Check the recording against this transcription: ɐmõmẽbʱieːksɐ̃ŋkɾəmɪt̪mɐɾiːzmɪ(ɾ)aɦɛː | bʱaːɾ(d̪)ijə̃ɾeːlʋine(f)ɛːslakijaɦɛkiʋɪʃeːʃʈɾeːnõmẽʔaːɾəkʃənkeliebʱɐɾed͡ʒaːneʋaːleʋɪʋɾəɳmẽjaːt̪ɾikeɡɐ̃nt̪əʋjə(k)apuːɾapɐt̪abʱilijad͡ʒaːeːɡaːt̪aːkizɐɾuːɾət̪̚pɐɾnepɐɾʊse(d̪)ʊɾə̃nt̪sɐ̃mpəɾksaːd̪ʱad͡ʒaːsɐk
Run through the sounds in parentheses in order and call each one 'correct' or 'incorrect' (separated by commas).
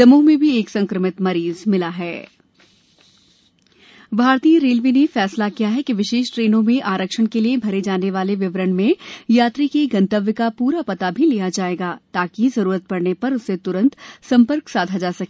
incorrect, incorrect, correct, correct, incorrect